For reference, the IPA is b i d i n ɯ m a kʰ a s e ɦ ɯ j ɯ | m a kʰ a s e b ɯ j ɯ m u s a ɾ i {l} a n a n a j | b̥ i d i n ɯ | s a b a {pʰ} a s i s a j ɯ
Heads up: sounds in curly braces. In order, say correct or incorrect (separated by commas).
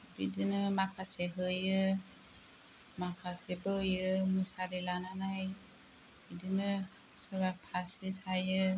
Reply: correct, correct